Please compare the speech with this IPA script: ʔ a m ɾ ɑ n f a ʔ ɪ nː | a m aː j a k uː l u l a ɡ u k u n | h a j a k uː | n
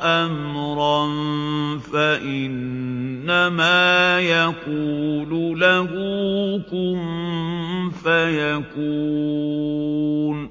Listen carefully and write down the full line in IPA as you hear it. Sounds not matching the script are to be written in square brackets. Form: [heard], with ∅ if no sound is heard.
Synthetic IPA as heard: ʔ a m ɾ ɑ n f a ʔ ɪ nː | a m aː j a k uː l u l a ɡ u k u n | [f] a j a k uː | n